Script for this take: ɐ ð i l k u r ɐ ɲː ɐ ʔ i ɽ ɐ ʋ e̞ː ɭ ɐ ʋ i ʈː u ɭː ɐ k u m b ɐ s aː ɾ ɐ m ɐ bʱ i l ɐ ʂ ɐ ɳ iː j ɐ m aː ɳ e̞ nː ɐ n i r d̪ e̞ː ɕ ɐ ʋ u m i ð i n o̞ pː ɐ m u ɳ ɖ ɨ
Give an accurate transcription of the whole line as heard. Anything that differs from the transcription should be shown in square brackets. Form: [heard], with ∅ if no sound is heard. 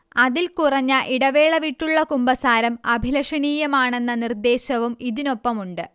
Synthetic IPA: ɐ ð i l k u r ɐ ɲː ɐ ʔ i ɽ ɐ ʋ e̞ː ɭ ɐ ʋ i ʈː u ɭː ɐ k u m b ɐ s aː ɾ ɐ m ɐ bʱ i l ɐ ʂ ɐ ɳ iː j ɐ m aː ɳ e̞ nː ɐ n i r d̪ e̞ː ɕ ɐ ʋ u m i ð i n o̞ pː ɐ m u ɳ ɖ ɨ